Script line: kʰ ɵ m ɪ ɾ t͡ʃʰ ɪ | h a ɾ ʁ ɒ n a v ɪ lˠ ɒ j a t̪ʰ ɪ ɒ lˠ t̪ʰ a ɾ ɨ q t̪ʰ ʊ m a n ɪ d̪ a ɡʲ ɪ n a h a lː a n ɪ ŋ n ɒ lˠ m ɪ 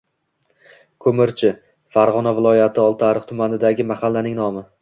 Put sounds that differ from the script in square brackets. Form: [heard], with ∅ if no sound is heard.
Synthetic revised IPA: kʰ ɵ m ɪ ɾ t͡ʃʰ ɪ | [f] a ɾ ʁ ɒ n a v ɪ lˠ ɒ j a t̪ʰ ɪ ɒ lˠ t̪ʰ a ɾ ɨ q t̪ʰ ʊ m a n ɪ d̪ a ɡʲ ɪ [m] a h a lː a n ɪ ŋ n ɒ [∅] m ɪ